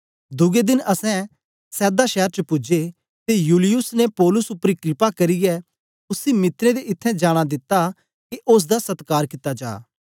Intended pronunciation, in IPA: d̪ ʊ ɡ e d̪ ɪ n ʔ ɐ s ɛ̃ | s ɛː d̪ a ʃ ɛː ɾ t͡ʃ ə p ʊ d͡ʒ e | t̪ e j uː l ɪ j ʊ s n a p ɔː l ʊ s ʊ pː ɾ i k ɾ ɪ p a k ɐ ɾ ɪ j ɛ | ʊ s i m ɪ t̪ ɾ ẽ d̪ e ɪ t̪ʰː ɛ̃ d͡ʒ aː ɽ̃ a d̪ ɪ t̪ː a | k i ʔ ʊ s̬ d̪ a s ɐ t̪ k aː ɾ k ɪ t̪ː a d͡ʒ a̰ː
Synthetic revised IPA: d̪ ʊ ɡ e d̪ ɪ n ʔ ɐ s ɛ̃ | s ɛː d̪ a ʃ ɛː ɾ t͡ʃ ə p ʊ d͡ʒ e | t̪ e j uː l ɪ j ʊ s n e p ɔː l ʊ s ʊ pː ɾ i k ɾ ɪ p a k ɐ ɾ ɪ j ɛ | ʊ s i m ɪ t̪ ɾ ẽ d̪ e ɪ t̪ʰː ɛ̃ d͡ʒ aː ɽ̃ a d̪ ɪ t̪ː a | k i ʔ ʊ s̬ d̪ a s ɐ t̪ k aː ɾ k ɪ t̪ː a d͡ʒ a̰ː

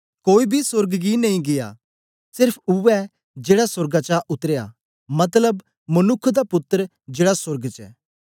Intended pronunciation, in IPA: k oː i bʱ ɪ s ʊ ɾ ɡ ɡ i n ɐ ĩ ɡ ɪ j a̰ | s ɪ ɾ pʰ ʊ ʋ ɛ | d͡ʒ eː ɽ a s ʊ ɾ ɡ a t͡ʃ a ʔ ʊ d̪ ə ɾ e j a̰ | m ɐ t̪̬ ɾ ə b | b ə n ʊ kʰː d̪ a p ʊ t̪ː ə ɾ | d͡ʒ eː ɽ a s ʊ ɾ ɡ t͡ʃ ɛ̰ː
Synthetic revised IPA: k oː i bʱ i s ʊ ɾ ɡ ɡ i n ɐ ĩ ɡ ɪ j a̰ | s ɪ ɾ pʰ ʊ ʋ ɛ | d͡ʒ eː ɽ a s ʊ ɾ ɡ a t͡ʃ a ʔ ʊ t̪ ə ɾ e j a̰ | m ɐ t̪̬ l ə b | m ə n ʊ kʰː d̪ a p ʊ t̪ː ə ɾ | d͡ʒ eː ɽ a s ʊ ɾ ɡ t͡ʃ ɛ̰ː

